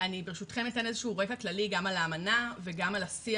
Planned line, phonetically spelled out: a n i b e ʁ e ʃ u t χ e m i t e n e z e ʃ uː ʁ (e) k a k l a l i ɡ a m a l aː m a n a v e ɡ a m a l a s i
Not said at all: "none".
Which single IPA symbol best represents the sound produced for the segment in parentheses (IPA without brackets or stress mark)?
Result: e